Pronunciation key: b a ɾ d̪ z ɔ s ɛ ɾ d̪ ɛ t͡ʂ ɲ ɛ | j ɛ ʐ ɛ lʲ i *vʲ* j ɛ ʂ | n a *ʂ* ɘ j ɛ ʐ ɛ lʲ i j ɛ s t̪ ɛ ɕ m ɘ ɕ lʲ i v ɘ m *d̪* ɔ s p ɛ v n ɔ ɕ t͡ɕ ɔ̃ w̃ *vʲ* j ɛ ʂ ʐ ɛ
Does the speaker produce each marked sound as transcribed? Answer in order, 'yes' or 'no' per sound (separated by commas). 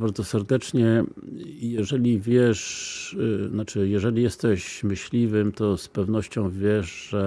yes, no, no, yes